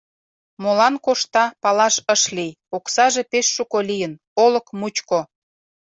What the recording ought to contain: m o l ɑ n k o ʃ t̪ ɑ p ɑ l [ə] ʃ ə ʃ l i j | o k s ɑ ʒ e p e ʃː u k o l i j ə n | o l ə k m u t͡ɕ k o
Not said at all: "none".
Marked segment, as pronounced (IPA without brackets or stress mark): ɑ